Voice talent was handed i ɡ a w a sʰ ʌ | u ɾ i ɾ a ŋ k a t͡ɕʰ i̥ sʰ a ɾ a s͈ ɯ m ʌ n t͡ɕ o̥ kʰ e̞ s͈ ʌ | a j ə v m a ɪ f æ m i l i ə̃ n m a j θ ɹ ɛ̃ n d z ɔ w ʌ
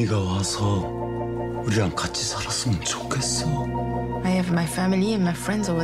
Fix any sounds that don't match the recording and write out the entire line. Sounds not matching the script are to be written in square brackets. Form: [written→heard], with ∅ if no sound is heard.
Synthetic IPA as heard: i ɡ a w a sʰ ʌ | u ɾ i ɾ a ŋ k a t͡ɕʰ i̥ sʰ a ɾ a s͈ ɯ m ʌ n t͡ɕ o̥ kʰ e̞ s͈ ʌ | a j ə v m a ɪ f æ m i l i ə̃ n m a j [θ→f] ɹ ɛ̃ n d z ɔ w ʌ